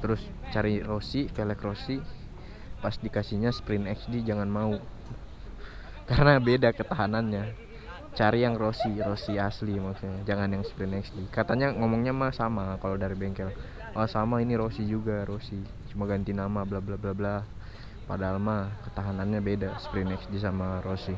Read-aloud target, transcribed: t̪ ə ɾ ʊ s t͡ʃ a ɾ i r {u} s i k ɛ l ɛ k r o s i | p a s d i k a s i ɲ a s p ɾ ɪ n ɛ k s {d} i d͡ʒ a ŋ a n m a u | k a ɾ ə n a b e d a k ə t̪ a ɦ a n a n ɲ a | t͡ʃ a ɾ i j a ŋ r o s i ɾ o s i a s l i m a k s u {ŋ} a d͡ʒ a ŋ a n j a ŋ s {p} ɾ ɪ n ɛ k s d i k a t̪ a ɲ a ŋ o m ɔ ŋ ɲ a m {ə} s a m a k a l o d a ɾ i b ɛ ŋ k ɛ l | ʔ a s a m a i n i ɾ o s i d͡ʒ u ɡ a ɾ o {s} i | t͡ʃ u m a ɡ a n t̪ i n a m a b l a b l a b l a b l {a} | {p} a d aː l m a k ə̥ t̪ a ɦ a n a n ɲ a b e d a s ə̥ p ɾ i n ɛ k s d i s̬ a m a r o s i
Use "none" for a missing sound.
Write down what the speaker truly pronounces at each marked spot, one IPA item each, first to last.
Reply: o, d, ɲ, p, a, s, a, p

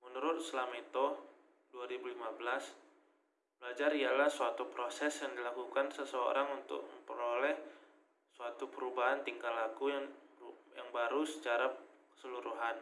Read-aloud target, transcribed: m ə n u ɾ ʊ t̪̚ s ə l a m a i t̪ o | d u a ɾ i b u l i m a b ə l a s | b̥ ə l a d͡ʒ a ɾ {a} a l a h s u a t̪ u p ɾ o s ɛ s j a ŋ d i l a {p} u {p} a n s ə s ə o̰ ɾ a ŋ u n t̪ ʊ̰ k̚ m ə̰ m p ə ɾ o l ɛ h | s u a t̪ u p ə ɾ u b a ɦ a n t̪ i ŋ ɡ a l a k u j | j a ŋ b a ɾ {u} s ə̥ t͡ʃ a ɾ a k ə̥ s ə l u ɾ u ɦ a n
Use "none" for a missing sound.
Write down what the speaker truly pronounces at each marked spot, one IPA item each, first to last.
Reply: i, k, k, u

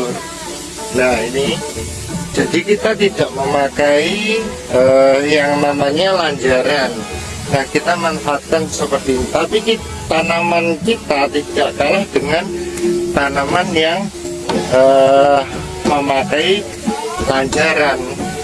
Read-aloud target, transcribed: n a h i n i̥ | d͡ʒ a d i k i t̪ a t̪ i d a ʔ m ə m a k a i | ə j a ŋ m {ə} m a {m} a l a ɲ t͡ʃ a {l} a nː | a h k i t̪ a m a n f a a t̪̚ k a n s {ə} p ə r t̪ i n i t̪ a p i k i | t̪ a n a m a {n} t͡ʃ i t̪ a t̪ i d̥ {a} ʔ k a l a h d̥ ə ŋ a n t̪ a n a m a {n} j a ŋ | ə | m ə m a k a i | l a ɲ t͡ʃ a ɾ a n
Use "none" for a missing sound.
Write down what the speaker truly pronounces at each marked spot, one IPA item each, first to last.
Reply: a, ɲ, ɾ, ə, n, a, n

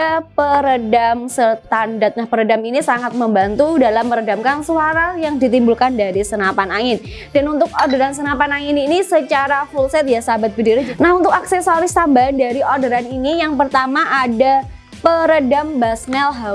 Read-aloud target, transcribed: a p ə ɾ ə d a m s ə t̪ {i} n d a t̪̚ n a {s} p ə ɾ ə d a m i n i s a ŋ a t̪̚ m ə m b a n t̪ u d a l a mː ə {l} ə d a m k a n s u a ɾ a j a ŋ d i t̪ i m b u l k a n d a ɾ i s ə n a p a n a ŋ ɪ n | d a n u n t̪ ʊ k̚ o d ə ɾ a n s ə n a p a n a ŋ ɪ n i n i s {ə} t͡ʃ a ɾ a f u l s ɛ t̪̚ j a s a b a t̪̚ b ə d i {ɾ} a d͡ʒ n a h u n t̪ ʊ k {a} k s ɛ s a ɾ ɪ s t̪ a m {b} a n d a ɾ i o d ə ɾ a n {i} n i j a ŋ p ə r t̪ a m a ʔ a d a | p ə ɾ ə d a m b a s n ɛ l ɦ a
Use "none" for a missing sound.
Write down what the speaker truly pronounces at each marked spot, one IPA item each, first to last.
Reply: a, h, ɾ, ə, ɾ, a, b, i

